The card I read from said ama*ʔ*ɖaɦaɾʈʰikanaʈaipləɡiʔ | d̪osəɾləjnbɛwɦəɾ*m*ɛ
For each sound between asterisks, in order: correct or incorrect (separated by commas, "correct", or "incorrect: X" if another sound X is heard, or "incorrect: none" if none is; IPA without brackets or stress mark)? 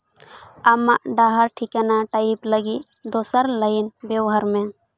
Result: correct, correct